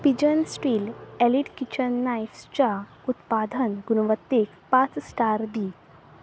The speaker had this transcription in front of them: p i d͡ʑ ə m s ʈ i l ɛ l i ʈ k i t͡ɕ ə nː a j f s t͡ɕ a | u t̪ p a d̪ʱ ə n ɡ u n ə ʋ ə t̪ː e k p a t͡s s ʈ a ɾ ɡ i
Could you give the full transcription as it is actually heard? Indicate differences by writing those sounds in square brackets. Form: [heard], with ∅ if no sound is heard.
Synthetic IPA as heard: p i d͡ʑ ə [n] s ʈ i l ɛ l i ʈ k i t͡ɕ ə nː a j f s t͡ɕ a | u t̪ p a d̪ʱ ə n ɡ u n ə ʋ ə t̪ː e k p a t͡s s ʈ a ɾ [b] i

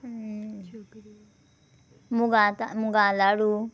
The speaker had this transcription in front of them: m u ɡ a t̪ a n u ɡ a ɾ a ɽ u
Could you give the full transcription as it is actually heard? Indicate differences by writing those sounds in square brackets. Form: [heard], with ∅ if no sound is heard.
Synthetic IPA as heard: m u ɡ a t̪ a [m] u ɡ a [l] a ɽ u

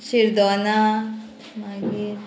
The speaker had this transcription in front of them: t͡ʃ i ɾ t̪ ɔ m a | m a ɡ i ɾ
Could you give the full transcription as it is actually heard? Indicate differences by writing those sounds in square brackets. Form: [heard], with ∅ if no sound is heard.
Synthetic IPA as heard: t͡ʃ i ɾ [d̪] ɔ [n] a | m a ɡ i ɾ

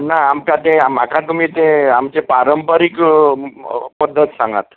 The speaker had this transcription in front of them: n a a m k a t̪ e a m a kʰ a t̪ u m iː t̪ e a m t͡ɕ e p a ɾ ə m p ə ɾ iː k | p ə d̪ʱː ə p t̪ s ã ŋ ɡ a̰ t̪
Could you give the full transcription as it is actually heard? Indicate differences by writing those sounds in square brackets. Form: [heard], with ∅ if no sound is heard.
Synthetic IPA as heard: n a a m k a t̪ e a m a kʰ a t̪ u m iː t̪ e a m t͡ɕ e p a ɾ ə m p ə ɾ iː k | p ə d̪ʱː ə [∅] t̪ s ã ŋ ɡ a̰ t̪

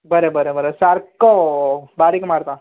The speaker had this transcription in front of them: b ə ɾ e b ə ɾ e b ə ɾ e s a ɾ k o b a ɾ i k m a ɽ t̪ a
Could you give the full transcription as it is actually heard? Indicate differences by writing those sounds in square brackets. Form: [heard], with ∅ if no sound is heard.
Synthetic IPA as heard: b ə ɾ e b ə ɾ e b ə ɾ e s a ɾ k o b a ɾ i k m a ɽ t̪ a

